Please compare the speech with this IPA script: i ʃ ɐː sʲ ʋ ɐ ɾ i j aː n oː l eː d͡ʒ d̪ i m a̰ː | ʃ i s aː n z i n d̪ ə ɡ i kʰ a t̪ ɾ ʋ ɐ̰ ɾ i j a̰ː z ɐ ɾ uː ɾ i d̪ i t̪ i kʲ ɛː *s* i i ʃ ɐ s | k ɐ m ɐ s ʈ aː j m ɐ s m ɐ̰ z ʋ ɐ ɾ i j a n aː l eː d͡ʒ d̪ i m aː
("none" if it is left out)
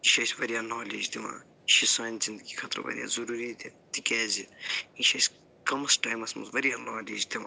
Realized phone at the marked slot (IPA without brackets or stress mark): z